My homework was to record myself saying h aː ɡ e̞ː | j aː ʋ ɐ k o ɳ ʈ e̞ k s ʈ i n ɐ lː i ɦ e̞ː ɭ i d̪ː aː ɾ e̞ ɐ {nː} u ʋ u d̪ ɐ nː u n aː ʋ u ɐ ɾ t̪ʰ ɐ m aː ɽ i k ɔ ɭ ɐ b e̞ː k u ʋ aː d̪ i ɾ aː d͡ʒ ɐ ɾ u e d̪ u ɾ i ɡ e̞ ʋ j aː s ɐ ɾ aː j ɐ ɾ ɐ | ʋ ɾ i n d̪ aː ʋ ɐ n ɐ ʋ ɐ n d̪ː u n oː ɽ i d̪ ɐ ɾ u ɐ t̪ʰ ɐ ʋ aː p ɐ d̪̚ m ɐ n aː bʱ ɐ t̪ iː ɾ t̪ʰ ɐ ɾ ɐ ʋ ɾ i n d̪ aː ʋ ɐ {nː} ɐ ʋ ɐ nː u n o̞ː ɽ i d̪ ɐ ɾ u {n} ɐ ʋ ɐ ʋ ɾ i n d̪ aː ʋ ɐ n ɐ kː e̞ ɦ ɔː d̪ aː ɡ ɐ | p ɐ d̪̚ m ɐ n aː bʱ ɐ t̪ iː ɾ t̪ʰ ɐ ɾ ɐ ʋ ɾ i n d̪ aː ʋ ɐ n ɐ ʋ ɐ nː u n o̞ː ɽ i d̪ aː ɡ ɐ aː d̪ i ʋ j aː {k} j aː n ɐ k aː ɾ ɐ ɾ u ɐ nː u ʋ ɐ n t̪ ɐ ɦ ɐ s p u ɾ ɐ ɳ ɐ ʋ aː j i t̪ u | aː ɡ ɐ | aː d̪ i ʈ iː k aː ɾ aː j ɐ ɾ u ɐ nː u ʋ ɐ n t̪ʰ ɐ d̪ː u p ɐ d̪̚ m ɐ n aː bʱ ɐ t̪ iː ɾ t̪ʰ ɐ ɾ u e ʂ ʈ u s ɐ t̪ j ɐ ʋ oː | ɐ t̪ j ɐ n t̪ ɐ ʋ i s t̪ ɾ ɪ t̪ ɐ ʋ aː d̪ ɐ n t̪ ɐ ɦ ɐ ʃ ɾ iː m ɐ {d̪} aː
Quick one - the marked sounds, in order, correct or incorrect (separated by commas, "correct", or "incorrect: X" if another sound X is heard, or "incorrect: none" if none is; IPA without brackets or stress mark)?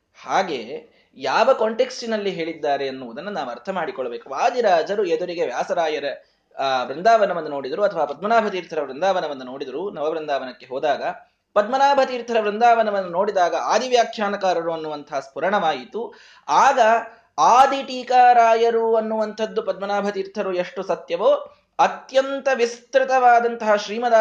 correct, incorrect: n, correct, incorrect: kʰ, correct